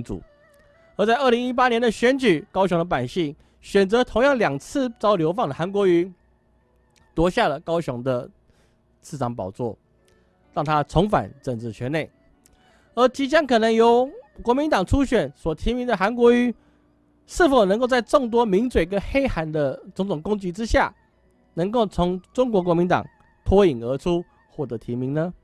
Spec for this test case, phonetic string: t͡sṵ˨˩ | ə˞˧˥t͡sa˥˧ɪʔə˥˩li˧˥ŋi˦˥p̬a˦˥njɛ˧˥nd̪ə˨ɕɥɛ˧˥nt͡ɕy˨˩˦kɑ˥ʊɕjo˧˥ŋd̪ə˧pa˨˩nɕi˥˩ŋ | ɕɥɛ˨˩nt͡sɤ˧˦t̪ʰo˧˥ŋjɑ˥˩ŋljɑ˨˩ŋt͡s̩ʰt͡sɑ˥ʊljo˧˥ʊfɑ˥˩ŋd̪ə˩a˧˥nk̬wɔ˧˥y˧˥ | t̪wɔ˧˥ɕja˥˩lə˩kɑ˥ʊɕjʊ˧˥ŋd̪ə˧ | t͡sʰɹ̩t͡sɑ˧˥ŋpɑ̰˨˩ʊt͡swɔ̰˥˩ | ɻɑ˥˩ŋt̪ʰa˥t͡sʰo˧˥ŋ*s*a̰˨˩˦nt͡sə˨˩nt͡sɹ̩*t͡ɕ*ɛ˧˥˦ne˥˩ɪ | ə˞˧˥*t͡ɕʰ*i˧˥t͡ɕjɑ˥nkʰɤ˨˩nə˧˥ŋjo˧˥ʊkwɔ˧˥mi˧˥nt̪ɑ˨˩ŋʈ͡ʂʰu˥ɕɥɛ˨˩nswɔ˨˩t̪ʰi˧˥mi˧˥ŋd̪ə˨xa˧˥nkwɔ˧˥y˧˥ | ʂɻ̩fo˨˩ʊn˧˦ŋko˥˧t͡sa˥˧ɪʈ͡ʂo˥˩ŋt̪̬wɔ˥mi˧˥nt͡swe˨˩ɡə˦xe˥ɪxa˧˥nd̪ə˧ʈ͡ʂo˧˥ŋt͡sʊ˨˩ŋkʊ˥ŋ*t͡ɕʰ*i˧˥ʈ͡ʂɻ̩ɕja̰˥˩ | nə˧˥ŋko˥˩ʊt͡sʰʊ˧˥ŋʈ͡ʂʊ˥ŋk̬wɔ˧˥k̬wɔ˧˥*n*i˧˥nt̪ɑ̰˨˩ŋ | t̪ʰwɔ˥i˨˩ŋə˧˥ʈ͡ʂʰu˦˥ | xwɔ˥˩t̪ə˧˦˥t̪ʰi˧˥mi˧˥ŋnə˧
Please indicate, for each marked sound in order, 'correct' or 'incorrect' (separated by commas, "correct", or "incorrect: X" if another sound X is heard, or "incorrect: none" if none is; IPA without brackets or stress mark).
incorrect: f, incorrect: t͡ɕʰ, incorrect: t͡ɕ, incorrect: t͡ɕ, incorrect: m